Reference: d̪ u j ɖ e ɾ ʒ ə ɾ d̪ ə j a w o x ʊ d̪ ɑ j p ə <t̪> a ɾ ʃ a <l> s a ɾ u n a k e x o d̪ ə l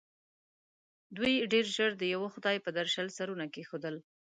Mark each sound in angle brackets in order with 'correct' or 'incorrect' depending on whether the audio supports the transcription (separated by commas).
incorrect, correct